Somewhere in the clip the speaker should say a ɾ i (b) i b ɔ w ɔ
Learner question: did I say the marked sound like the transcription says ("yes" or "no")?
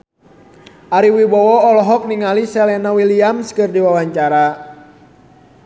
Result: no